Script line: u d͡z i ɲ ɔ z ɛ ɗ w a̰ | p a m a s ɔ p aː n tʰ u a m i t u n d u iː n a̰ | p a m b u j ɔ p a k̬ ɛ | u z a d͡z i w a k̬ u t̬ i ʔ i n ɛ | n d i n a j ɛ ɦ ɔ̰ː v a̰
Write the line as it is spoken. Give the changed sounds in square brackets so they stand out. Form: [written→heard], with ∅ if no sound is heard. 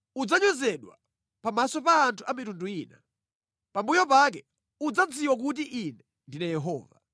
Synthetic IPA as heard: u d͡z [i→a] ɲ ɔ z ɛ ɗ w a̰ | p a m a s ɔ p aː n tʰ u a m i t u n d u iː n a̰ | p a m b u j ɔ p a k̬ ɛ | u [z→d͡z] a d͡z i w a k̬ u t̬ i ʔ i n ɛ | n d i n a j ɛ ɦ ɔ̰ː v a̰